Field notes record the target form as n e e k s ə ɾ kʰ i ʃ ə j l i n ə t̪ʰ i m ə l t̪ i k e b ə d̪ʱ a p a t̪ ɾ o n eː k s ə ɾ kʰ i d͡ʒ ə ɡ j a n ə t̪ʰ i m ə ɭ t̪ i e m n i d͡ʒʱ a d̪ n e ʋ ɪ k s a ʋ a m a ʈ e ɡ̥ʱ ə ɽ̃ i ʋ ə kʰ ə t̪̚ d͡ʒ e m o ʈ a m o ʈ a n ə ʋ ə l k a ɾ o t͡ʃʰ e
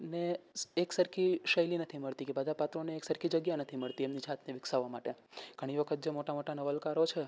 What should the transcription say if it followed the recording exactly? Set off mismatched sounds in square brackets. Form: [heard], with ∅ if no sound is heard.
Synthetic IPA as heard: n e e k s ə ɾ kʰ i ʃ ə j l i n ə t̪ʰ i m ə [ɭ] t̪ i k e b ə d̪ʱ a p a t̪ ɾ o n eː k s ə ɾ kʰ i d͡ʒ ə ɡ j a n ə t̪ʰ i m ə ɭ t̪ i e m n i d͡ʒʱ a [t̪] n e ʋ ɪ k s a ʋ a m a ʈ e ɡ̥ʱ ə ɽ̃ i ʋ ə kʰ ə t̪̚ d͡ʒ e m o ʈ a m o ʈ a n ə ʋ ə l k a ɾ o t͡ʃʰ e